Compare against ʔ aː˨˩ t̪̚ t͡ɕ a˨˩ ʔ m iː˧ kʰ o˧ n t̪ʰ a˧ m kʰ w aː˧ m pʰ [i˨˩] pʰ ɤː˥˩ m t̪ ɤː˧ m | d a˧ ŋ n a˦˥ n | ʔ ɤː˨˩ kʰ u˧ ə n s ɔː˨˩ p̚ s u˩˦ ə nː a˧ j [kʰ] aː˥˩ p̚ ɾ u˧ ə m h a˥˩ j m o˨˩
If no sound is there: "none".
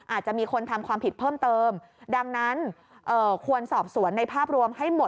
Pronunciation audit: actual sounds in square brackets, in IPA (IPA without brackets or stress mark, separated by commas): i˨˩, pʰ